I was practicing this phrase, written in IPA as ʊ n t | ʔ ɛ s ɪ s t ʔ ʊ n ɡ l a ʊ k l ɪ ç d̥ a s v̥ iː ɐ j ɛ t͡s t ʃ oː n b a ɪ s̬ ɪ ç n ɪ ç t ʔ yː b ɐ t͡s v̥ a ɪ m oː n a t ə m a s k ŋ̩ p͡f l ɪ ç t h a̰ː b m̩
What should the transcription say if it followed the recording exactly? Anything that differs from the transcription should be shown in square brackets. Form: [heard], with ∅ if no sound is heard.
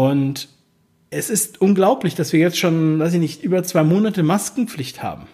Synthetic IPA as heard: ʊ n t | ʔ ɛ s ɪ s t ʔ ʊ n ɡ l a ʊ [p] l ɪ ç d̥ a s v̥ iː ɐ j ɛ t͡s t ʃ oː n [v] a ɪ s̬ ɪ ç n ɪ ç t ʔ yː b ɐ t͡s v̥ a ɪ m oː n a t ə m a s k ŋ̩ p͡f l ɪ ç t h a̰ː b m̩